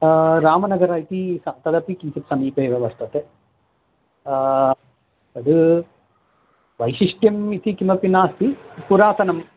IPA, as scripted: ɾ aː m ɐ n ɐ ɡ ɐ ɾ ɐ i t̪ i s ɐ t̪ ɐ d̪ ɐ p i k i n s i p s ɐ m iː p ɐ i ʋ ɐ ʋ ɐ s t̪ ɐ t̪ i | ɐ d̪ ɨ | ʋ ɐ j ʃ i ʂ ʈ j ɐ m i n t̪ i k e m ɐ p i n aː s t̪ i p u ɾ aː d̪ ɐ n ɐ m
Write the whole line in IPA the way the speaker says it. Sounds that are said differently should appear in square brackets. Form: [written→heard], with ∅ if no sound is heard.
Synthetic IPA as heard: ɾ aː m ɐ n ɐ ɡ ɐ ɾ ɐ i t̪ i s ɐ t̪ ɐ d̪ ɐ p i k i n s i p s ɐ m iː p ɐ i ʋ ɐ ʋ ɐ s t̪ ɐ t̪ [i→e] | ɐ d̪ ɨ | ʋ ɐ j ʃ i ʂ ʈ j ɐ m i [n→∅] t̪ i k [e→i] m ɐ p i n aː s t̪ i p u ɾ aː [d̪→t̪] ɐ n ɐ m